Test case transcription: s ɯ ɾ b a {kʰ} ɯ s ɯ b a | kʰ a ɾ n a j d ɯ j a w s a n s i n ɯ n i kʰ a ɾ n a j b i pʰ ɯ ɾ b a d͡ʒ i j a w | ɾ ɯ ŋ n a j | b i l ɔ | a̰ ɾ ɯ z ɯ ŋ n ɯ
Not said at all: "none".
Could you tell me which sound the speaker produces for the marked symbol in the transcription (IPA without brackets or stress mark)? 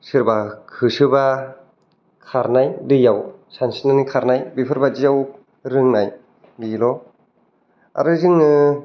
kʰ